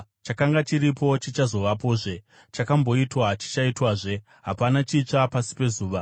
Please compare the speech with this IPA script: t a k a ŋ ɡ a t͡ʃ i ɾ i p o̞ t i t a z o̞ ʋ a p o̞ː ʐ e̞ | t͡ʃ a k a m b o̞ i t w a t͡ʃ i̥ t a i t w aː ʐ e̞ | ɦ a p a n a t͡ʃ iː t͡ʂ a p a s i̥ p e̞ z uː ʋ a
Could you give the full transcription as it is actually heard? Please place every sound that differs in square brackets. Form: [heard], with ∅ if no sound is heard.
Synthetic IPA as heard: [t͡ʃ] a k a ŋ ɡ a t͡ʃ i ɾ i p o̞ [t͡ʃ] i [t͡ʃ] a z o̞ ʋ a p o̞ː ʐ e̞ | t͡ʃ a k a m b o̞ i t w a t͡ʃ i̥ [t͡ʃ] a i t w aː ʐ e̞ | ɦ a p a n a t͡ʃ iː t͡ʂ a p a s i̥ p e̞ z uː ʋ a